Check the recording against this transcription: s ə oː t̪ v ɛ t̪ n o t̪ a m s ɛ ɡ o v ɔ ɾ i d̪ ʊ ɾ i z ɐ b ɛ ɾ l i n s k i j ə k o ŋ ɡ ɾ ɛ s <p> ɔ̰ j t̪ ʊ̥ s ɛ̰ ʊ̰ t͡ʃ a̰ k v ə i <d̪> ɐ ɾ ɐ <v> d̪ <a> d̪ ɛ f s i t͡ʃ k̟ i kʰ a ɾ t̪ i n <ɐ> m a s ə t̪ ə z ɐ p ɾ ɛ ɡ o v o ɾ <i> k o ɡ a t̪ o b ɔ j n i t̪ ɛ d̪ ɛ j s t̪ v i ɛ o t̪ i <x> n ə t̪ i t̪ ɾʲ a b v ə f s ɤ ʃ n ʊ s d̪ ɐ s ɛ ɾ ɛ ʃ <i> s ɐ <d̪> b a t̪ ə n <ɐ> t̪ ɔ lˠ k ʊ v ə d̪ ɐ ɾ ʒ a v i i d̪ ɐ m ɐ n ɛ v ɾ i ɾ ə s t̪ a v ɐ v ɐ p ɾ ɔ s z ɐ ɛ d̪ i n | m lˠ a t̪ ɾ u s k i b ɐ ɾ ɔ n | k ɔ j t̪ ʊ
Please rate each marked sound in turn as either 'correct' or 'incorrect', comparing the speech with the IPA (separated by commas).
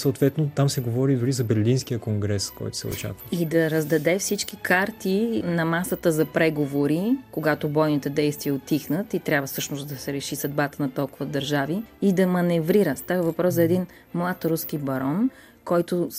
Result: incorrect, correct, incorrect, incorrect, correct, correct, correct, correct, correct, correct